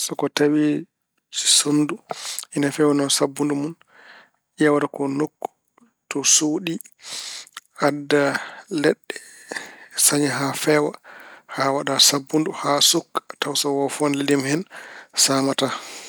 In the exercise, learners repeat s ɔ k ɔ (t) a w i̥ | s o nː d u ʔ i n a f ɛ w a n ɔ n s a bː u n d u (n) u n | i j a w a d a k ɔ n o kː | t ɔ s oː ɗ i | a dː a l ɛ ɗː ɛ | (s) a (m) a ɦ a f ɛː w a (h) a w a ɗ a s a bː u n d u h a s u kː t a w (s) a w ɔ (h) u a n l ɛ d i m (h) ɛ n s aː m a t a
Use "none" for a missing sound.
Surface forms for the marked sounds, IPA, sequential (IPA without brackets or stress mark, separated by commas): t, m, s, ɲ, h, s, f, h